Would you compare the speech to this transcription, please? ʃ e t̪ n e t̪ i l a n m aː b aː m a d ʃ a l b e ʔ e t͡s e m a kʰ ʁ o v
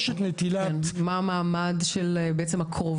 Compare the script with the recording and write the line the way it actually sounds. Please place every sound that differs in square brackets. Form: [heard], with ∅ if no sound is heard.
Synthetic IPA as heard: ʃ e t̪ n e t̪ i l a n m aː [m] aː m a d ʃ [e] l b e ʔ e t͡s e m a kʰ ʁ o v